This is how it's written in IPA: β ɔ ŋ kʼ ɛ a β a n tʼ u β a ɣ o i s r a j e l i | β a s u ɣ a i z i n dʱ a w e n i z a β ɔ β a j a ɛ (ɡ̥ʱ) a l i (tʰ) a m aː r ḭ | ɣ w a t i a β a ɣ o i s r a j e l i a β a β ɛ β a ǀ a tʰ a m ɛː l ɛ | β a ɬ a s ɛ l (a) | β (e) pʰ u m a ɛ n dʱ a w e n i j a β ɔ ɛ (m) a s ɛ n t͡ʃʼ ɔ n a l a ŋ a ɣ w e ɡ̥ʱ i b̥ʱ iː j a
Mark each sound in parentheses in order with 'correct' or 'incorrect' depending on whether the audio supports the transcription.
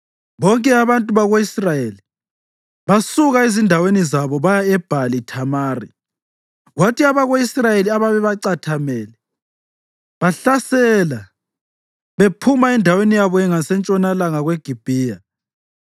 incorrect: b̥ʱ, correct, correct, correct, incorrect: ŋ

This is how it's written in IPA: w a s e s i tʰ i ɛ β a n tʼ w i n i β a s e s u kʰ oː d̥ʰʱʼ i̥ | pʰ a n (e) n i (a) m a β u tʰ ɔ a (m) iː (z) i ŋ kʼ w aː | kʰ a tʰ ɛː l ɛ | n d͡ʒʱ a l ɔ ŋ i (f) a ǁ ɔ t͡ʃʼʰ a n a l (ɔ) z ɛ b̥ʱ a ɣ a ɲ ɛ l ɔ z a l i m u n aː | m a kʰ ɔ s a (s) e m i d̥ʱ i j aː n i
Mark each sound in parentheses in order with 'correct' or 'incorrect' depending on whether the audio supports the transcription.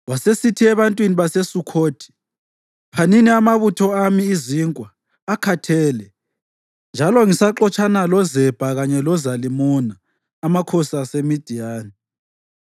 incorrect: i, correct, correct, correct, incorrect: s, correct, correct

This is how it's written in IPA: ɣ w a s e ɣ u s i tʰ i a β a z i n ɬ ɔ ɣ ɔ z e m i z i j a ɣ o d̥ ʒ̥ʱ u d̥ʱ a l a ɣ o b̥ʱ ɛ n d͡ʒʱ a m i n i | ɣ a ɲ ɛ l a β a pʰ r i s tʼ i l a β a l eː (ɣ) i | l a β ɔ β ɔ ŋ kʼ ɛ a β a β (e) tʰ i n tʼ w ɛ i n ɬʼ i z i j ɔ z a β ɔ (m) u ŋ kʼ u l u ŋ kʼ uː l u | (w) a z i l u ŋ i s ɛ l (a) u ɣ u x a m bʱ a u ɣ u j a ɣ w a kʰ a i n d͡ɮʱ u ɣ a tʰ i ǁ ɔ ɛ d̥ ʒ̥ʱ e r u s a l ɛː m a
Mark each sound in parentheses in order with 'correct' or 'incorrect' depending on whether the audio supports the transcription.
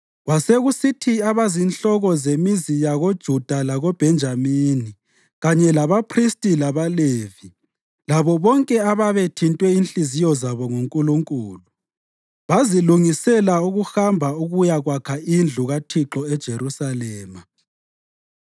incorrect: v, correct, incorrect: ŋ, incorrect: β, correct

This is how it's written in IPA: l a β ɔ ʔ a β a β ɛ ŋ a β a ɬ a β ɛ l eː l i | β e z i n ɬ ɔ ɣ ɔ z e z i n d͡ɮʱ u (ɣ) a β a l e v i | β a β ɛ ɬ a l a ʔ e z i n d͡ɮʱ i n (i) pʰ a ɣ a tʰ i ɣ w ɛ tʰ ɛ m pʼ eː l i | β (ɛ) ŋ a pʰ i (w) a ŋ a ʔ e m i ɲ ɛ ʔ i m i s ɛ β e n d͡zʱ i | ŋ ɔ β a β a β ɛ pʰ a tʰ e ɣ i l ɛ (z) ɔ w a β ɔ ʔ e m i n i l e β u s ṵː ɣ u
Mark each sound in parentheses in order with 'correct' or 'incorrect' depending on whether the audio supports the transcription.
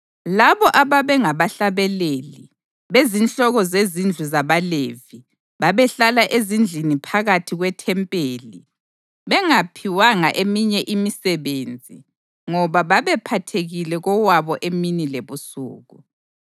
incorrect: z, correct, correct, correct, incorrect: ɣ

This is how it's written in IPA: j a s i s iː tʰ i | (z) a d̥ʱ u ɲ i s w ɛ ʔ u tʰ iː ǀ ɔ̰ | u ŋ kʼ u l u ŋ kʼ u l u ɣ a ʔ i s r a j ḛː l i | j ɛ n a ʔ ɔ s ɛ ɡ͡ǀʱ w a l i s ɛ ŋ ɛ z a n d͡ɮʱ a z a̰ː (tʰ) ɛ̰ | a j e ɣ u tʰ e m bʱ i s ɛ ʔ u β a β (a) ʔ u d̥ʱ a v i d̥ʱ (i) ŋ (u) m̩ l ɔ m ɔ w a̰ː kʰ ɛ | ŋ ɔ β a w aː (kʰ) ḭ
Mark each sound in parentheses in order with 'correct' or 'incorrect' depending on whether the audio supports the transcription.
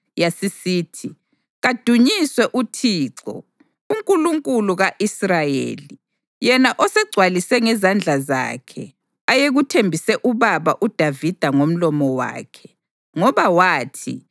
incorrect: ɣ, incorrect: kʰ, correct, incorrect: a, incorrect: o, incorrect: tʰ

